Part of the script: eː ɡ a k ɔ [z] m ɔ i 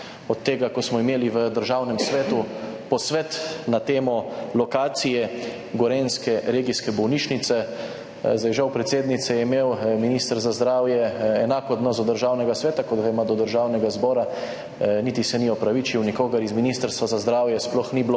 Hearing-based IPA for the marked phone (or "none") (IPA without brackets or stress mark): s